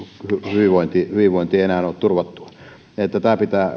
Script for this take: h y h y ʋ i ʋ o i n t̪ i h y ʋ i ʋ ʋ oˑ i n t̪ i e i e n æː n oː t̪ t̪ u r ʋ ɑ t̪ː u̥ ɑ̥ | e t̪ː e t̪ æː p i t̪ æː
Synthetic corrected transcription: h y h y ʋ i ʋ o i n t̪ i h y ʋ i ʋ ʋ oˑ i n t̪ i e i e n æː n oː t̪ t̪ u r ʋ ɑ t̪ː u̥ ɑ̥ | e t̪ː æ t̪ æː p i t̪ æː